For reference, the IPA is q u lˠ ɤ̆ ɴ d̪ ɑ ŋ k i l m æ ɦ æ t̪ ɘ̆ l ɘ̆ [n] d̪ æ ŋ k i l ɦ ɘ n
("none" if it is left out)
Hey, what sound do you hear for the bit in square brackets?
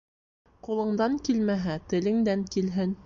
ŋ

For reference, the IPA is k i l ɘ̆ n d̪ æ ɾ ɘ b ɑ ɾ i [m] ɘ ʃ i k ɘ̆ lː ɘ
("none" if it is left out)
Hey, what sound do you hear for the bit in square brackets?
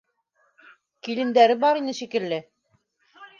n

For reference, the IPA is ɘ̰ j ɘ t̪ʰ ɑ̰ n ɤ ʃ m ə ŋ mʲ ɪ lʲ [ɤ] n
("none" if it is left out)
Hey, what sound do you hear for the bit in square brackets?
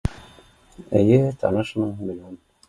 o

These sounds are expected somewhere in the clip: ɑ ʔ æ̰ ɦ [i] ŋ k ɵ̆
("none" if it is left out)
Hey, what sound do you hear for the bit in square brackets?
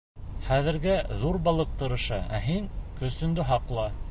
i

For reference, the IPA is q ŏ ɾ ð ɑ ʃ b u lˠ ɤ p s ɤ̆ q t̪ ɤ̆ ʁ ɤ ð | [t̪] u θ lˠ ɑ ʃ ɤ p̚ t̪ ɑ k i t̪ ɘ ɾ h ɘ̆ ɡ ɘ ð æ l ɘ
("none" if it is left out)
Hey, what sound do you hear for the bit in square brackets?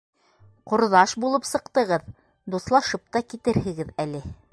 d̪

